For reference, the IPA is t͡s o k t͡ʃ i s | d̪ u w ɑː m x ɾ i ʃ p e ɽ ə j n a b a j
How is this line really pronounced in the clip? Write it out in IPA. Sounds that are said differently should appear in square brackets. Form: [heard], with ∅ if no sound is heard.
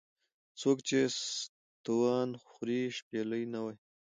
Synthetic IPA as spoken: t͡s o k t͡ʃ [e] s | [t̪] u w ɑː [n] x ɾ i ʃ p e [l] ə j n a [w] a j